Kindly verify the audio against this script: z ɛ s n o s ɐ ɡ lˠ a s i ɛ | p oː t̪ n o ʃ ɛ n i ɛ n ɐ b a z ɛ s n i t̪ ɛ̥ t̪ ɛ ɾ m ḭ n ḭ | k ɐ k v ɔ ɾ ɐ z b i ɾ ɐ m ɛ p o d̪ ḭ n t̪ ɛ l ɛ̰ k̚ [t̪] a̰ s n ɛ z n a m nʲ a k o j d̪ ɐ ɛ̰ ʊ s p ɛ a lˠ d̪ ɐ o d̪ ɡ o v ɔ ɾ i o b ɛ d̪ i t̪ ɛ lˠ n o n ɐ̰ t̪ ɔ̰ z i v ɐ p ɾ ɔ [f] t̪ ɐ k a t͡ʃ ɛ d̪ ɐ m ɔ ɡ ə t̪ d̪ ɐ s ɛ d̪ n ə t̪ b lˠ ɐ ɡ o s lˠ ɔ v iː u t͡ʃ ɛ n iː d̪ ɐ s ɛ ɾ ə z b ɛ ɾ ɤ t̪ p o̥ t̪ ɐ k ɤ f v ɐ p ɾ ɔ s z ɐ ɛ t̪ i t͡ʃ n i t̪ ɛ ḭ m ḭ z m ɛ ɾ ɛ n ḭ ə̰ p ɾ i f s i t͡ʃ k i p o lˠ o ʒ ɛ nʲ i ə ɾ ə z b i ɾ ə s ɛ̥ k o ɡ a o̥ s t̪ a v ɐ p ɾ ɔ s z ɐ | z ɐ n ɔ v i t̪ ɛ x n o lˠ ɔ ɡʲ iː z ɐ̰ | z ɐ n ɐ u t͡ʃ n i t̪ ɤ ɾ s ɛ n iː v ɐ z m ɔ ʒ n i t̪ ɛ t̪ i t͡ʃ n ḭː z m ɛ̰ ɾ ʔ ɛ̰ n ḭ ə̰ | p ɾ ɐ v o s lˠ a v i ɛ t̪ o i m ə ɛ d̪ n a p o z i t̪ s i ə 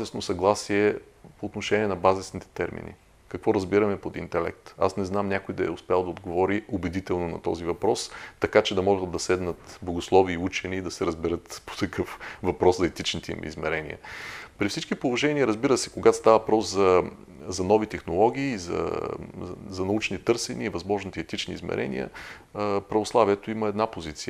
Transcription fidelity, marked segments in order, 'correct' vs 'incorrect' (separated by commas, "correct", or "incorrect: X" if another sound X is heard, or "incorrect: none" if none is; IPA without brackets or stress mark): correct, incorrect: s